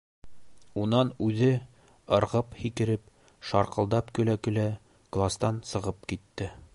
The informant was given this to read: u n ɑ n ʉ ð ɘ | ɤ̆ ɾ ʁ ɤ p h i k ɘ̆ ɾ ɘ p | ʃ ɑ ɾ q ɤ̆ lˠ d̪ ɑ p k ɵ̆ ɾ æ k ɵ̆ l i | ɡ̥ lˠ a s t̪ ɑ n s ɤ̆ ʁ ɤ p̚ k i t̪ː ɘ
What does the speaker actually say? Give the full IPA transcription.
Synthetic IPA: u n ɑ n ʉ ð ɘ | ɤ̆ ɾ ʁ ɤ p h i k ɘ̆ ɾ ɘ p | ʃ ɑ ɾ q ɤ̆ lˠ d̪ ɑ p k ɵ̆ l æ k ɵ̆ l æ | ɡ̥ lˠ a s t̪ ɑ n s ɤ̆ ʁ ɤ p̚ k i t̪ː ɘ